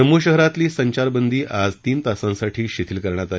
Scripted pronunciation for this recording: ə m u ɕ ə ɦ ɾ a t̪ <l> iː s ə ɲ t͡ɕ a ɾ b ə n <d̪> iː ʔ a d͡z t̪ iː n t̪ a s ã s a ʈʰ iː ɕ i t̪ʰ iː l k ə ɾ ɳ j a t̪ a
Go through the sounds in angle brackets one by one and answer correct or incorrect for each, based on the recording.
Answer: correct, correct

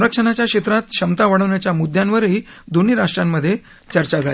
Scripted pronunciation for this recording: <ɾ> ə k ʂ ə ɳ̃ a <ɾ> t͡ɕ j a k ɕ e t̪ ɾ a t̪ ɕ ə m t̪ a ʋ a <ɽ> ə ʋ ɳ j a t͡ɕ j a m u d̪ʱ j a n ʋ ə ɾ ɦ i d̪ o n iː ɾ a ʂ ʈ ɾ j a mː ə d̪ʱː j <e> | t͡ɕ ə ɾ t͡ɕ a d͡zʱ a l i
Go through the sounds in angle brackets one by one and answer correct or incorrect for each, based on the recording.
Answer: correct, incorrect, correct, correct

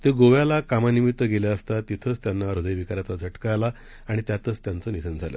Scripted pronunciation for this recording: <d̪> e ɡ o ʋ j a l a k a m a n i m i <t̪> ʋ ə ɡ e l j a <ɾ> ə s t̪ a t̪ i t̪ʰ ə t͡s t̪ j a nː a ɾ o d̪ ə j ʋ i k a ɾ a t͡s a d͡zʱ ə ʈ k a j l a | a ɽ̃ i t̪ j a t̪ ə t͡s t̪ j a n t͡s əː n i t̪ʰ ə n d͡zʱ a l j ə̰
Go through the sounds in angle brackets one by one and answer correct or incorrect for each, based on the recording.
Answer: incorrect, correct, incorrect

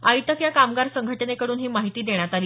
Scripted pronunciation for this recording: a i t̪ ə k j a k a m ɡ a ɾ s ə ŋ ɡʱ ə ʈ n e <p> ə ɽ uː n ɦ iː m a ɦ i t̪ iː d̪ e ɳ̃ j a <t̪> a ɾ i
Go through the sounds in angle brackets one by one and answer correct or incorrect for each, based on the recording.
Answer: incorrect, correct

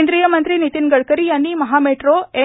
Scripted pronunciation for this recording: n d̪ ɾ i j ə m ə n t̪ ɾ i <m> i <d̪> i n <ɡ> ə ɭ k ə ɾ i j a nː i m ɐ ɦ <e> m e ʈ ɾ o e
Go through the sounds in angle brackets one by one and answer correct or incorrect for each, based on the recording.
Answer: incorrect, incorrect, correct, incorrect

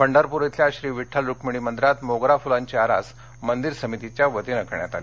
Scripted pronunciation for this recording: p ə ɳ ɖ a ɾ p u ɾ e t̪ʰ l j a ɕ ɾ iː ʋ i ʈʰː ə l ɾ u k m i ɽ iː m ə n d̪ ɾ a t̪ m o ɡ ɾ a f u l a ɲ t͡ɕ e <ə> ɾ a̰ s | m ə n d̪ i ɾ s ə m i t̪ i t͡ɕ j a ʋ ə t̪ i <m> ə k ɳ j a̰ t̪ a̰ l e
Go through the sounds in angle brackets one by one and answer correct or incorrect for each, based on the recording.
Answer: incorrect, incorrect

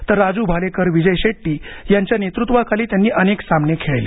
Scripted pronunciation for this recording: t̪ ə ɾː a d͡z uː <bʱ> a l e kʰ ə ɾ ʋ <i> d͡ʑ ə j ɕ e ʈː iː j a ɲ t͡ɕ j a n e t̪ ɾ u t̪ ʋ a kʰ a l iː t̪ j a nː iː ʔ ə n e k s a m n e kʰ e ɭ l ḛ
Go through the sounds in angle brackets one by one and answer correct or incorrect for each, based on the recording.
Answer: correct, correct

